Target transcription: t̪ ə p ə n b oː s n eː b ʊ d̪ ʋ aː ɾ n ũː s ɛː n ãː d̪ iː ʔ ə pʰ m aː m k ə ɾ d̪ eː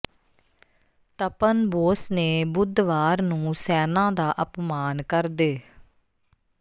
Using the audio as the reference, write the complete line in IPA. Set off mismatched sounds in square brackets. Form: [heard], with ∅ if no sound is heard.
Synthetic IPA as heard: t̪ ə p ə n b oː s n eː b ʊ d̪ ʋ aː ɾ n ũː s ɛː n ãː d̪ [aː] ʔ ə [p] m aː [n] k ə ɾ d̪ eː